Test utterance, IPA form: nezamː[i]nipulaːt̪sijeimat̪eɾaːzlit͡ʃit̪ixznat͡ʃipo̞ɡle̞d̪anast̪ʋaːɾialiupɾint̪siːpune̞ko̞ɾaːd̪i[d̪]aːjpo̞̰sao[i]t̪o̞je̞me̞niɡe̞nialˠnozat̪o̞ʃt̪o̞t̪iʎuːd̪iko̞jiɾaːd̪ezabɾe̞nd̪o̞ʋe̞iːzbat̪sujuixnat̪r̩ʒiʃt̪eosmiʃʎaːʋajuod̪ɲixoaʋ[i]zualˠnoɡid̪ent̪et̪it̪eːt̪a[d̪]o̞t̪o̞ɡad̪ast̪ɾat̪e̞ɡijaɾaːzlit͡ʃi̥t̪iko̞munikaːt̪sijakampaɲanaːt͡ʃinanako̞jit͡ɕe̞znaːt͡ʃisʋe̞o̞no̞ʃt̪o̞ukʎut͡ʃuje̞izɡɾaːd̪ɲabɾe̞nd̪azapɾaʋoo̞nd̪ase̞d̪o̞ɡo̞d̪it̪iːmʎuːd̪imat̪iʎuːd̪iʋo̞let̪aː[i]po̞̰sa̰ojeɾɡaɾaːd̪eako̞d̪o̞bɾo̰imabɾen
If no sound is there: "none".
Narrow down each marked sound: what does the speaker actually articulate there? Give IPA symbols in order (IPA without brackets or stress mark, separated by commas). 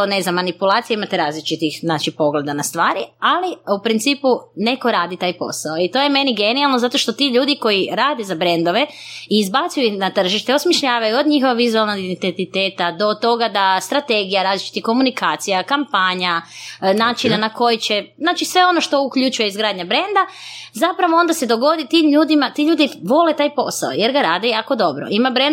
a, t̪, i, i, d̪, j